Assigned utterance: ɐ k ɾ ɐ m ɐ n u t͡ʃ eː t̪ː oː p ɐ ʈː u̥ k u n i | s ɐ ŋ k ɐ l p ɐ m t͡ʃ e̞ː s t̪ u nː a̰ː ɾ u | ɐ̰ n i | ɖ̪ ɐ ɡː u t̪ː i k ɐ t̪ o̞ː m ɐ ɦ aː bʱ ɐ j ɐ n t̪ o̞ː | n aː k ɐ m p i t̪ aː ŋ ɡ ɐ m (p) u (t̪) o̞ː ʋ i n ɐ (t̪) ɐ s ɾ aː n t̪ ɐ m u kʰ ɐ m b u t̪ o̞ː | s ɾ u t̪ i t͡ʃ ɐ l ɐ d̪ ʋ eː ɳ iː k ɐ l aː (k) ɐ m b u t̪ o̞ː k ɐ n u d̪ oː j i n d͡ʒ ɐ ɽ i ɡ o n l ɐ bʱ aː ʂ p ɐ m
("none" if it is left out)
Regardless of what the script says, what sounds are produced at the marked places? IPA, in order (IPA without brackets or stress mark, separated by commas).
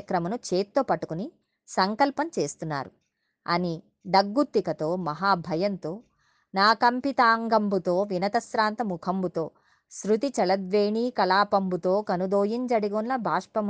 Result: b, t̪, t̪, p